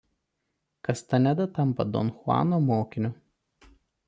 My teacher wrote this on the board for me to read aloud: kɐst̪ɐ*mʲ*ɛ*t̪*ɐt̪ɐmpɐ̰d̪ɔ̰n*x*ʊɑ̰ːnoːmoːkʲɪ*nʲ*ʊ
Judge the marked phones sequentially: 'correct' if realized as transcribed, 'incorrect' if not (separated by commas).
incorrect, incorrect, correct, correct